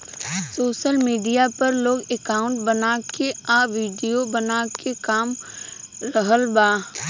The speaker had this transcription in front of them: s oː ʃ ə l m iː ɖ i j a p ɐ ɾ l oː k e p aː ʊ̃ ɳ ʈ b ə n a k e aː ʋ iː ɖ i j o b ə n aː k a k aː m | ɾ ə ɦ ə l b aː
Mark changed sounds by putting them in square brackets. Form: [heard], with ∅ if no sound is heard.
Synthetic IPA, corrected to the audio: s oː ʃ ə l m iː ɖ i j a p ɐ ɾ l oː [ɡ] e [k] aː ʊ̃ ɳ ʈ b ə n a k e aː ʋ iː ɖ i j o b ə n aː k [e] k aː m | ɾ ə ɦ ə l b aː